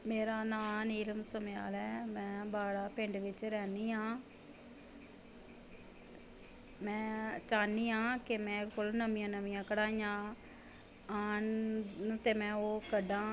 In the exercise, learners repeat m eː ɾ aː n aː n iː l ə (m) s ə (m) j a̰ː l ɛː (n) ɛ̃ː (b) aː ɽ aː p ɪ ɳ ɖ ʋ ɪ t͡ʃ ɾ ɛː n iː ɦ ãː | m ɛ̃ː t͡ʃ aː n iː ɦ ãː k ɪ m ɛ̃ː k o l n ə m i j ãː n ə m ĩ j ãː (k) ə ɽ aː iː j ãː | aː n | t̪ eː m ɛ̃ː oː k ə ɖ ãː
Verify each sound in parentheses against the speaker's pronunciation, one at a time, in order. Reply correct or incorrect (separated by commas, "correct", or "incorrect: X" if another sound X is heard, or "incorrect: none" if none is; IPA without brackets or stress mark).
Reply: correct, correct, incorrect: m, correct, correct